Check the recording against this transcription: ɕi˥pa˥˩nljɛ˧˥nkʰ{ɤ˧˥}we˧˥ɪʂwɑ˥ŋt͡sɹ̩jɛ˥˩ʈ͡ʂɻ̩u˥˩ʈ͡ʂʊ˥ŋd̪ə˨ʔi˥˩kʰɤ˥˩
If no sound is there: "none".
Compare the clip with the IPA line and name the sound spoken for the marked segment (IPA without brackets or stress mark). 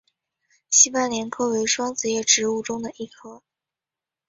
ɤ˥